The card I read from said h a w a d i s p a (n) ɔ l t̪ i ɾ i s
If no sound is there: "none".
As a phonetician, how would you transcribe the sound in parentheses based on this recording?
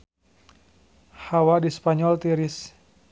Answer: ɲ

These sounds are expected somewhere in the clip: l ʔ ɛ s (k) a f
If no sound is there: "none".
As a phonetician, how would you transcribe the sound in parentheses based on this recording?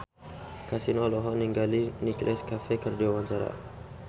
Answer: k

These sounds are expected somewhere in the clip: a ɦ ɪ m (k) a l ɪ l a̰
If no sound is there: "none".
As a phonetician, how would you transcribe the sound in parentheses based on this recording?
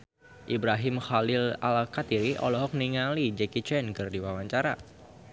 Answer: x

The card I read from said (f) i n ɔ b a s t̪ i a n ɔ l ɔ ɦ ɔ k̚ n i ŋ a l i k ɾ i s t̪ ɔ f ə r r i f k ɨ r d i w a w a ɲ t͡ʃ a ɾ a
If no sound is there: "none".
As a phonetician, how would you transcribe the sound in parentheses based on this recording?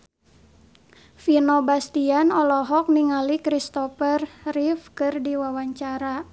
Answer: f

